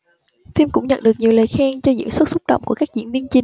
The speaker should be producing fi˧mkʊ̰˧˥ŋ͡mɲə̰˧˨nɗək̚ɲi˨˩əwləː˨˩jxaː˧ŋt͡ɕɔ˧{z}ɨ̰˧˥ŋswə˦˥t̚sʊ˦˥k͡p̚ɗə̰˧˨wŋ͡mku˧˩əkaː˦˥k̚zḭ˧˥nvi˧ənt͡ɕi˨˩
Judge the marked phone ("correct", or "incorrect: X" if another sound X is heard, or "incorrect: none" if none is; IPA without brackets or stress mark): correct